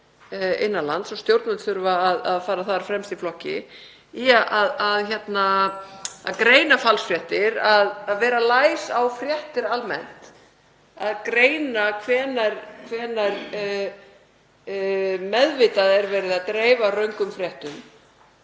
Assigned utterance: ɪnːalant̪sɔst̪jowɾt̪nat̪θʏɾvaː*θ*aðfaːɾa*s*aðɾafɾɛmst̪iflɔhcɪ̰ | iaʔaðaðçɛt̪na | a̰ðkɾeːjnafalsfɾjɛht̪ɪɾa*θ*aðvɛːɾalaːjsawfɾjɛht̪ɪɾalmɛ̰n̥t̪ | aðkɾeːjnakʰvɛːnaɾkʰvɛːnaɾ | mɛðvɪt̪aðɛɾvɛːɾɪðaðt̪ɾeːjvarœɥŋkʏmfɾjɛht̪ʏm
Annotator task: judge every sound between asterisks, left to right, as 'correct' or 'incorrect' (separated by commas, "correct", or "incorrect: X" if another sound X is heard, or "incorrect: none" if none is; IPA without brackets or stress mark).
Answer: incorrect: ð, incorrect: θ, incorrect: ð